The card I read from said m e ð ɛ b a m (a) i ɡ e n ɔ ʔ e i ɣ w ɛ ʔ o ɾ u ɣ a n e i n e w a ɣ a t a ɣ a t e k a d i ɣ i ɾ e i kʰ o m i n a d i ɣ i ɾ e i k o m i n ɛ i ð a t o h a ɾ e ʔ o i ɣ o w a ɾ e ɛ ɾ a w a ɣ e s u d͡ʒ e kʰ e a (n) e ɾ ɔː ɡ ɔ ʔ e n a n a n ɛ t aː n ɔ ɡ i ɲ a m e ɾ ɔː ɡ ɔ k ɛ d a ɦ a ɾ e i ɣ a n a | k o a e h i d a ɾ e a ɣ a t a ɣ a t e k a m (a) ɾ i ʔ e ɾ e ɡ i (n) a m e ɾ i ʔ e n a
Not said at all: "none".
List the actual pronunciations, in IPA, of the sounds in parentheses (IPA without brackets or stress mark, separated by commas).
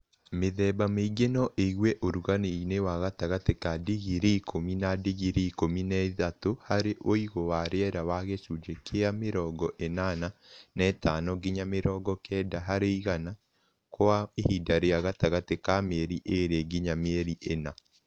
e, m, e, ɲ